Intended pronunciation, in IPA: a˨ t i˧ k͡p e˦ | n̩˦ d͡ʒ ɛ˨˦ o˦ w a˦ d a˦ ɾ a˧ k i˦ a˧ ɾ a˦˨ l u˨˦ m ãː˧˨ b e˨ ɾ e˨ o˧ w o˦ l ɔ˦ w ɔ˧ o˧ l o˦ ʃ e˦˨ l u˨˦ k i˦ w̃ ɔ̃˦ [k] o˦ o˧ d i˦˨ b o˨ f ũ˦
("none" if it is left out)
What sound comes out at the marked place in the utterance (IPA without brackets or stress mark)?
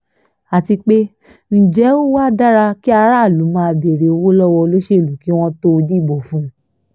t